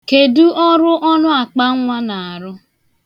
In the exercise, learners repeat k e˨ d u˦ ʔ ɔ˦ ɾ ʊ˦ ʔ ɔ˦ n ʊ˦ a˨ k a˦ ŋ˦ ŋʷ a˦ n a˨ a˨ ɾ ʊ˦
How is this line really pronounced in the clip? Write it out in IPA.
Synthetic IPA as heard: k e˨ d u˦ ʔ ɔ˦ ɾ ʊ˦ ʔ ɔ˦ n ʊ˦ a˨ k͡p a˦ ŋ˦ ŋʷ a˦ n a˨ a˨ ɾ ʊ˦